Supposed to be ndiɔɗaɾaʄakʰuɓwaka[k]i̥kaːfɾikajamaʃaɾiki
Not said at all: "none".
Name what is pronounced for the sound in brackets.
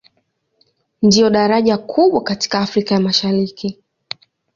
t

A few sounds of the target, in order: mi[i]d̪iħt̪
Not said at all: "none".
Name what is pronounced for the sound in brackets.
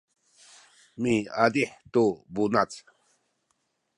a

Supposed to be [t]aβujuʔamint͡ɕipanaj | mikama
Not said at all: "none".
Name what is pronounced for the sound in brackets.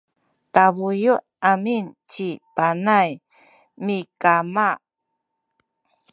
t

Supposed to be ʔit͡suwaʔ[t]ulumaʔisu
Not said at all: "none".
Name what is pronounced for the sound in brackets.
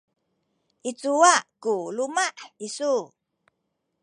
k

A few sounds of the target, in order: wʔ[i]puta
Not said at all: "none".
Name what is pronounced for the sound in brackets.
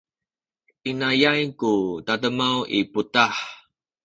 i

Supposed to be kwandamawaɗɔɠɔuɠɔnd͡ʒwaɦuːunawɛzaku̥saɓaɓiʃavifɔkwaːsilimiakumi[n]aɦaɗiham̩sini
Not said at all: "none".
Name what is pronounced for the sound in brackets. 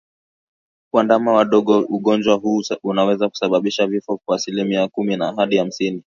n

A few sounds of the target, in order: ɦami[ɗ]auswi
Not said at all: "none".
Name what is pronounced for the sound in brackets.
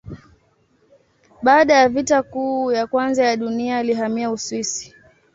none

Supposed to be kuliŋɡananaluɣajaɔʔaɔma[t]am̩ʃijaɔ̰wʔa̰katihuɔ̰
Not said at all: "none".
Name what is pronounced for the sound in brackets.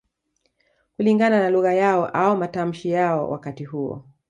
t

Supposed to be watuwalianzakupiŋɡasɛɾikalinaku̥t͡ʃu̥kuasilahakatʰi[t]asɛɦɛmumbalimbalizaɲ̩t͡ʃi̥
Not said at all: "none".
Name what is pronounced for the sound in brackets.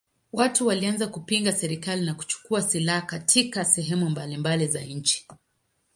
k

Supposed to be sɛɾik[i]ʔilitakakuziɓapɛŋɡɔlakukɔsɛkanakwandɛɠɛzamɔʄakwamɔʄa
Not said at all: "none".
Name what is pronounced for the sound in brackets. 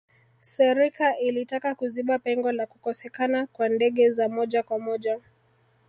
a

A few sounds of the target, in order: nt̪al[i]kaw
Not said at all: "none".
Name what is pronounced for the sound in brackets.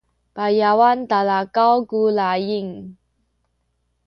a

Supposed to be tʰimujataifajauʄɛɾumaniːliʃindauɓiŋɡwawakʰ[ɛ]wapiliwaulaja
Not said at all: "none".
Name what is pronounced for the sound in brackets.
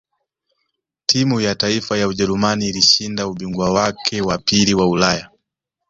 ɛ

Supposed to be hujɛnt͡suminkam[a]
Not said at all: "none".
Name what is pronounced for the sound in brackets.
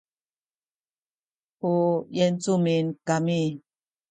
i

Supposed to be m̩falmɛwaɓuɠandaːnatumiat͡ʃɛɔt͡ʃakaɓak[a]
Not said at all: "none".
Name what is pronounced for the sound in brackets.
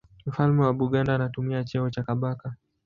a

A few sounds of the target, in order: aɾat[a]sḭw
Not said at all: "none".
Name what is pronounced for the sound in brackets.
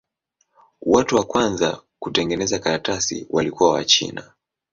a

